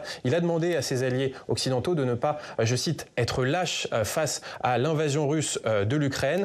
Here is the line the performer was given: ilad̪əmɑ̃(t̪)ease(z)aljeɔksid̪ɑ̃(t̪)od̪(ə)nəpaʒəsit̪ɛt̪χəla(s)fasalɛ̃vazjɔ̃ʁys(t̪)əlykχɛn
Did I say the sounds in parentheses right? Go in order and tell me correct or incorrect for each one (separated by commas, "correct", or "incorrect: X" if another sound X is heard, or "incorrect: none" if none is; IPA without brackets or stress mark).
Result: incorrect: d̪, correct, correct, correct, incorrect: ʃ, incorrect: d̪